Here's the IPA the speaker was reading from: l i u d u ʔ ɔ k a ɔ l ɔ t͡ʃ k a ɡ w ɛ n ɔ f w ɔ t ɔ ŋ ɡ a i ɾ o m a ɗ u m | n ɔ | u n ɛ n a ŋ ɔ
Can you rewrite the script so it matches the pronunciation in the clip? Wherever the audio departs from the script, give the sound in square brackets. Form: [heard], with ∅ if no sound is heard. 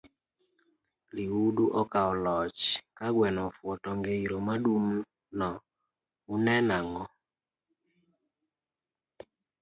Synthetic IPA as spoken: l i u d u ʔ ɔ k a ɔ l ɔ t͡ʃ k a ɡ w ɛ n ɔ f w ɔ t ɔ ŋ ɡ [e] i ɾ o m a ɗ u m | n ɔ | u n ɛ n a ŋ ɔ